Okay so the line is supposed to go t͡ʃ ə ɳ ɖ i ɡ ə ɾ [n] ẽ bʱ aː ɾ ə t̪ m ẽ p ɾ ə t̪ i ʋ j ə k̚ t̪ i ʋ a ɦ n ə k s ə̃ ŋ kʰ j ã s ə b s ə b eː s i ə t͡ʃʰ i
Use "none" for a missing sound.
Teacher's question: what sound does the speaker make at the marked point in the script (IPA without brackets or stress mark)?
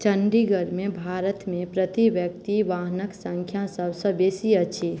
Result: m